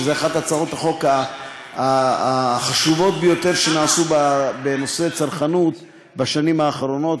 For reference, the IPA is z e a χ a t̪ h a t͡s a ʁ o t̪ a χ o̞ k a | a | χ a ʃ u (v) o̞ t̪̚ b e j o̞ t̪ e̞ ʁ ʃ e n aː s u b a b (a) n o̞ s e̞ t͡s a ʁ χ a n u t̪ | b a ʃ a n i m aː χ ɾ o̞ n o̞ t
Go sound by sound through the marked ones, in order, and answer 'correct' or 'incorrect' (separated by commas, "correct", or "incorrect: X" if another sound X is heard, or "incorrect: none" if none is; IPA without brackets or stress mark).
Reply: correct, incorrect: e